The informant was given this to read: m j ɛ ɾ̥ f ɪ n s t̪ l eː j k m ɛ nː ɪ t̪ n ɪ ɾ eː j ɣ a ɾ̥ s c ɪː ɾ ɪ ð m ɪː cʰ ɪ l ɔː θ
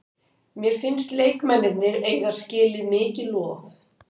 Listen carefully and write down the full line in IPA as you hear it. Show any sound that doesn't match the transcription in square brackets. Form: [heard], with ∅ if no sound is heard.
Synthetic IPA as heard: m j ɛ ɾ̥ f ɪ n s t̪ l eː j k m ɛ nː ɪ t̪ n ɪ ɾ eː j ɣ a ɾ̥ s c ɪː [l] ɪ ð m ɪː [c] ɪ l ɔː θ